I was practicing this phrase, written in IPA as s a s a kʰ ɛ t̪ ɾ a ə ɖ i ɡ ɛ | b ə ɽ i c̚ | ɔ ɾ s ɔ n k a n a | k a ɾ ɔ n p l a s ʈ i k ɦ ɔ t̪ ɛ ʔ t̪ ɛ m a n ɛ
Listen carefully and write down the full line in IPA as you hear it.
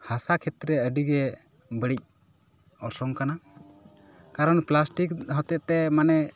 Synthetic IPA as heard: h a s a kʰ ɛ t̪ ɾ ɛ ə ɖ i ɡ ɛ | b ə ɽ i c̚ | ɔ ɾ s ɔ ŋ k a n a | k a ɾ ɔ n p l a s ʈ i k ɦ ɔ t̪ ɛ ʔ t̪ ɛ m a n ɛ